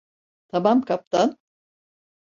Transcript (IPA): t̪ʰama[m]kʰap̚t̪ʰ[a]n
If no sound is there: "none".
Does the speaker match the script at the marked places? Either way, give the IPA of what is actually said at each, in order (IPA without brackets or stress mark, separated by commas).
m, a